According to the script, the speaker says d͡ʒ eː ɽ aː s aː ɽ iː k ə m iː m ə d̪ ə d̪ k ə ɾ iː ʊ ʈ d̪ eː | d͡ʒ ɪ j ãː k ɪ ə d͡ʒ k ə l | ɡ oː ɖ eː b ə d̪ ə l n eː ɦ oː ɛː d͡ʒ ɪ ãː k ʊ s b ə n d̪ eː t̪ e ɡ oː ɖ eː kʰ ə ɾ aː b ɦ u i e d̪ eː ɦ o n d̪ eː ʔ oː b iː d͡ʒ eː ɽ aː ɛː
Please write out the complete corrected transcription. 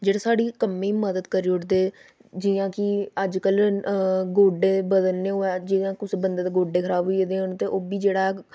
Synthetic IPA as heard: d͡ʒ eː ɽ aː s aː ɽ iː k ə m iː m ə d̪ ə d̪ k ə ɾ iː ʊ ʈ d̪ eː | d͡ʒ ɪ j ãː k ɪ ə d͡ʒ k ə l | ɡ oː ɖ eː b ə d̪ ə l n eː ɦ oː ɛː d͡ʒ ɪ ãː k ʊ s b ə n d̪ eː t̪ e ɡ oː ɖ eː kʰ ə ɾ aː b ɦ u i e d̪ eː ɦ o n t̪ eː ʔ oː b iː d͡ʒ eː ɽ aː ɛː

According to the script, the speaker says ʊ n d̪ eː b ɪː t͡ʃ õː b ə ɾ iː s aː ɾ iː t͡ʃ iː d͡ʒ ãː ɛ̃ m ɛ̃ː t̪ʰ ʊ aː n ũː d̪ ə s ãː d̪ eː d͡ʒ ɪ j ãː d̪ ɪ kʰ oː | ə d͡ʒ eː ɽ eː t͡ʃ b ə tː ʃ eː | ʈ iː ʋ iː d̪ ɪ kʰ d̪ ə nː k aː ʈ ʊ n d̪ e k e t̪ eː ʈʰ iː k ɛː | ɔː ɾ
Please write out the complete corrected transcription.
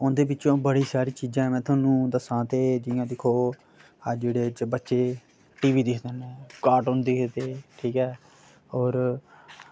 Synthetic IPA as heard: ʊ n d̪ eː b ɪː t͡ʃ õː b ə ɽ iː s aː ɾ iː t͡ʃ iː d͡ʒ ãː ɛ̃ m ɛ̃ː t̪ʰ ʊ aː n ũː d̪ ə s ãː t̪ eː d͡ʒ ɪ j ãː d̪ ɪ kʰ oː | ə d͡ʒ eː ɽ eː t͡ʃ b ə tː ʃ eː | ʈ iː ʋ iː d̪ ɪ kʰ d̪ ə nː k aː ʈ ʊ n d̪ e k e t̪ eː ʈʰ iː k ɛː | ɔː ɾ

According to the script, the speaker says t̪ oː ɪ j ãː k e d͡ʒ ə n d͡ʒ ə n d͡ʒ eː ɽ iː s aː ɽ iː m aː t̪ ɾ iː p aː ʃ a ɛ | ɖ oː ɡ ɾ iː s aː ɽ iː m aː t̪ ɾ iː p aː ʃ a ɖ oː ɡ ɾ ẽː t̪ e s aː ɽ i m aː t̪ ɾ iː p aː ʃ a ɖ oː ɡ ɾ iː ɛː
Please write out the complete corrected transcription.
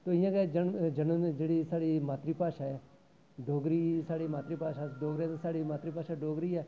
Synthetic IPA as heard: t̪ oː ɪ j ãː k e d͡ʒ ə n d͡ʒ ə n d͡ʒ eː ɽ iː s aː ɽ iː m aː t̪ ɾ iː p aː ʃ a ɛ | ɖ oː ɡ ɾ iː s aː ɽ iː m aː t̪ ɾ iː p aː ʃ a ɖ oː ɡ ɾ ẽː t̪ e s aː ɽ i m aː t̪ ɾ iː p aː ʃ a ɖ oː ɡ ɾ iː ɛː

